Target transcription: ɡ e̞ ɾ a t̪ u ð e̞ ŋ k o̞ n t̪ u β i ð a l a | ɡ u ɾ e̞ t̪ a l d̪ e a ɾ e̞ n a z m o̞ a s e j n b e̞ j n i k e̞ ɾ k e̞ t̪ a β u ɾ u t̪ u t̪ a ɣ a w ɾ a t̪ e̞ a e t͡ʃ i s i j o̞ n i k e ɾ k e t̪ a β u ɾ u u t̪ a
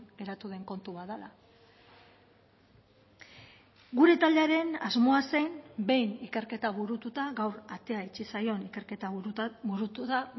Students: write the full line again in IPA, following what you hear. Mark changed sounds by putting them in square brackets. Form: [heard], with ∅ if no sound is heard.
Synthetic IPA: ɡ e̞ ɾ a t̪ u ð e̞ ŋ k o̞ n t̪ u β [a] ð a l a | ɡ u ɾ e̞ t̪ a l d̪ e a ɾ e̞ n a z m o̞ a s e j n b e̞ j n i k e̞ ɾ k e̞ t̪ a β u ɾ u t̪ u t̪ a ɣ a w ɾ a t̪ e̞ a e t͡ʃ i s [a] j o̞ n i k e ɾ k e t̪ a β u ɾ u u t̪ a